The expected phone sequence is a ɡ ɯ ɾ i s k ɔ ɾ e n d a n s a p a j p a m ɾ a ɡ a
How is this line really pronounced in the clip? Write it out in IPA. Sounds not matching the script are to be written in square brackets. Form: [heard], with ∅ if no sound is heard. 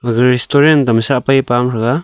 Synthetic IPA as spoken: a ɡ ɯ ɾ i s [t] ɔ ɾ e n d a [m] s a p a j p a m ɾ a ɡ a